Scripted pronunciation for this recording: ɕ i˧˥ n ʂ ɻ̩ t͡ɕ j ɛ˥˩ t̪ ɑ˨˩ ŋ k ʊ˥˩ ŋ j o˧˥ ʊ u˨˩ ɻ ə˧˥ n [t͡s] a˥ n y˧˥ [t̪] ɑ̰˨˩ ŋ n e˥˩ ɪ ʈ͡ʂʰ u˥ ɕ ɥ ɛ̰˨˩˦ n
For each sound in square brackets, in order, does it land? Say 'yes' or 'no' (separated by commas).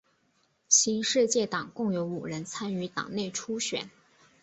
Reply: no, yes